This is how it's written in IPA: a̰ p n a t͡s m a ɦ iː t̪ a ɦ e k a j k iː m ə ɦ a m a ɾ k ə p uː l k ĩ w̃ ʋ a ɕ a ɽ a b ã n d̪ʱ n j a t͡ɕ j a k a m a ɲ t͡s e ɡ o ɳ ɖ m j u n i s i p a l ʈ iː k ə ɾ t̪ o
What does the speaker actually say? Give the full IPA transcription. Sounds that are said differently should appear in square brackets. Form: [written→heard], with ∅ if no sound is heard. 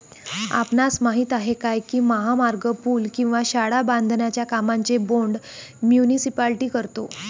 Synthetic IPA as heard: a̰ p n a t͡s m a ɦ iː t̪ a ɦ e k a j k iː m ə ɦ a m a ɾ [k→ɡ] ə p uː l k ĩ w̃ ʋ a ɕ a ɽ a b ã n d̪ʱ n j a t͡ɕ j a k a m a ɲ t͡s e [ɡ→b] o ɳ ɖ m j u n i s i p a l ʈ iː k ə ɾ t̪ o

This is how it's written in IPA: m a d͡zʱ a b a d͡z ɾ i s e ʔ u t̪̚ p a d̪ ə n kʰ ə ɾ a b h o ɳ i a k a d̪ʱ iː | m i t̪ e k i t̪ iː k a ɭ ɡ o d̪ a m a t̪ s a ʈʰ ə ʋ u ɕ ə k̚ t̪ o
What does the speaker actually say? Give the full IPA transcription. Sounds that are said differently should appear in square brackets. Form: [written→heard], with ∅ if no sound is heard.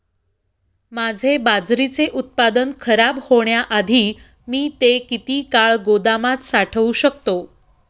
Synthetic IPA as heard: m a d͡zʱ [a→e] b a d͡z ɾ i [s→t͡s] e ʔ u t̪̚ p a d̪ ə n kʰ ə ɾ a b h o ɳ [i→j] a [k→ʔ] a d̪ʱ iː | m [i→iː] t̪ e k i t̪ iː k a ɭ ɡ o d̪ a m a t̪ s a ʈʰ ə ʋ u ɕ ə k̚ t̪ o

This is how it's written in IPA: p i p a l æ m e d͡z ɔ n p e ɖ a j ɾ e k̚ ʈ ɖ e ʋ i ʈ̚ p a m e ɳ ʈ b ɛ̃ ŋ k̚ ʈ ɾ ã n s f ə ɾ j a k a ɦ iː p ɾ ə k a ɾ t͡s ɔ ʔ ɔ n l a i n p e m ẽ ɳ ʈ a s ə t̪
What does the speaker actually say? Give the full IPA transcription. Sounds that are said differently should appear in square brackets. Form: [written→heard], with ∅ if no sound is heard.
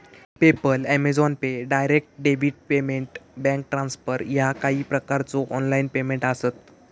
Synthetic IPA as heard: p [i→e] p [a→ə] l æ m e d͡z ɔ n p e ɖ a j ɾ e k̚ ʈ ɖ e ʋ i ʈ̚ p [a→e] m e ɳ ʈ b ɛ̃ ŋ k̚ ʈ ɾ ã n s f ə ɾ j a k a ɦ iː p ɾ ə k a ɾ t͡s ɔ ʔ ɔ n l a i n p e m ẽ ɳ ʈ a s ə t̪

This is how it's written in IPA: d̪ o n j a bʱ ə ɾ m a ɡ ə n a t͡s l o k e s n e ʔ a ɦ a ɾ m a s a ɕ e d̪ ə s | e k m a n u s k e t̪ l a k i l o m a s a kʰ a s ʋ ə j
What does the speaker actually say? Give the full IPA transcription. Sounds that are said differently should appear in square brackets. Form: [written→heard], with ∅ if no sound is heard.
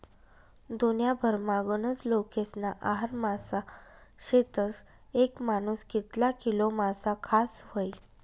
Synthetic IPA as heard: d̪ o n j a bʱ ə ɾ m a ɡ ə n [a→ə] t͡s l o k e s n [e→a] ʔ a ɦ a ɾ m a s a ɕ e [d̪→t̪] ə s | e k m a n u s k [e→i] t̪ l a k i l o m a s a kʰ a s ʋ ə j

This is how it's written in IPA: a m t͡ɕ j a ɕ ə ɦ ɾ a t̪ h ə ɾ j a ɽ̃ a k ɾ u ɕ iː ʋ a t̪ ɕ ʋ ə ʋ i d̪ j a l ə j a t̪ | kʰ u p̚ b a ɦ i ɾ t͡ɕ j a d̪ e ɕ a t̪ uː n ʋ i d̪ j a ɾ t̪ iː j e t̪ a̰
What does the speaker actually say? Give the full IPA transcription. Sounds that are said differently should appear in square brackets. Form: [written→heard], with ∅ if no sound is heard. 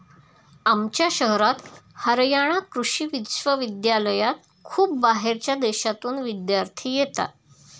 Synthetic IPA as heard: a m t͡ɕ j a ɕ ə ɦ ɾ a t̪ h ə ɾ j a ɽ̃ a k ɾ u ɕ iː ʋ [a→i] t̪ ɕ ʋ ə ʋ i d̪ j a l ə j a t̪ | kʰ [u→uː] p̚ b a ɦ [i→e] ɾ t͡ɕ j a d̪ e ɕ a t̪ uː n ʋ i d̪ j a ɾ [t̪→t̪ʰ] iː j e t̪ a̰

